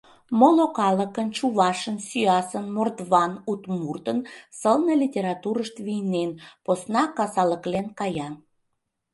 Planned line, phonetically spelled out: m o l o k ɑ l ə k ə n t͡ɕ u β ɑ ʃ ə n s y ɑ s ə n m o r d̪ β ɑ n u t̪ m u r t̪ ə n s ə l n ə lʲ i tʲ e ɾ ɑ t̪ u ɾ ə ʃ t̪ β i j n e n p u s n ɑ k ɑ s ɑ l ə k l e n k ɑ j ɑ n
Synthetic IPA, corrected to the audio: m o l o k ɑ l ə k ə n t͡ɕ u β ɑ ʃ ə n s y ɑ s ə n m o r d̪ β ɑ n u t̪ m u r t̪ ə n s ə l n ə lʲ i tʲ e ɾ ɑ t̪ u ɾ ə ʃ t̪ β i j n e n p o s n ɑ k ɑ s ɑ l ə k l e n k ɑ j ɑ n